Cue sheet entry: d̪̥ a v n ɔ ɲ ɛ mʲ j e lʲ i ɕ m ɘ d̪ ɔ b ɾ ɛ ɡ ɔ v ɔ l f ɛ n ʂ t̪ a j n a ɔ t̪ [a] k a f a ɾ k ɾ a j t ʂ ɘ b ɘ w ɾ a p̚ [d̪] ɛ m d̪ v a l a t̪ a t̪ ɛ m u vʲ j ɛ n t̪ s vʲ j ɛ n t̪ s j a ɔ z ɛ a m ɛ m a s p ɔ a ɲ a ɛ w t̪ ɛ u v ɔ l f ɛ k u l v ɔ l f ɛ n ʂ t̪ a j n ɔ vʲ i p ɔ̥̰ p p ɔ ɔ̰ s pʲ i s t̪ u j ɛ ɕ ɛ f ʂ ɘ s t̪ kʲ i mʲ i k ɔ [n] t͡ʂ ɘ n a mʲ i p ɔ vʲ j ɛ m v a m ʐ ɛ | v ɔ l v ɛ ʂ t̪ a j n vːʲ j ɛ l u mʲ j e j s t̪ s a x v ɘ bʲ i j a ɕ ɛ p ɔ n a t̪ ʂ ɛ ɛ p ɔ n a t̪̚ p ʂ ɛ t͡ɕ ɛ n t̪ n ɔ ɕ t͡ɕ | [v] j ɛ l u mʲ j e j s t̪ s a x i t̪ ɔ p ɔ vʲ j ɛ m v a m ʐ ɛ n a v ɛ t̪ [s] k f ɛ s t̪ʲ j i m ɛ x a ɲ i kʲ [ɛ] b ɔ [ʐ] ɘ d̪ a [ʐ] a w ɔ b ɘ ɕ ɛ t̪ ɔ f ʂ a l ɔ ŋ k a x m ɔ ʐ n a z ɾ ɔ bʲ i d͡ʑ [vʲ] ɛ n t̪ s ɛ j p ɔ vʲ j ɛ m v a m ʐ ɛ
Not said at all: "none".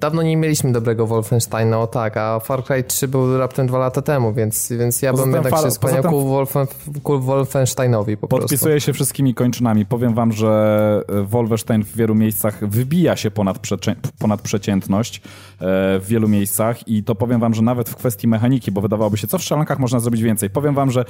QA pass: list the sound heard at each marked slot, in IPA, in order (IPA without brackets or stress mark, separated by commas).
a, t̪, ɲ, vː, f, i, v, v, vʲ